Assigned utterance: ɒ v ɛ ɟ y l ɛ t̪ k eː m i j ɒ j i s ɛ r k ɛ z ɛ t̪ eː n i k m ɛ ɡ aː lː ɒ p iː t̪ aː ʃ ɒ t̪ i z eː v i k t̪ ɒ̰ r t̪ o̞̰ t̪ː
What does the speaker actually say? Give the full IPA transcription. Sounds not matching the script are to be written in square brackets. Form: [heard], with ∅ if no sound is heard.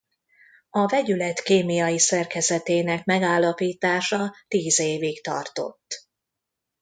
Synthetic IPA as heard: ɒ v ɛ ɟ y l ɛ t̪ k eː m i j ɒ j i s ɛ r k ɛ z ɛ t̪ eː n [ɛ] k m ɛ ɡ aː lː ɒ p iː t̪ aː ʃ ɒ t̪ [iː] z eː v i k t̪ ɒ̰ r t̪ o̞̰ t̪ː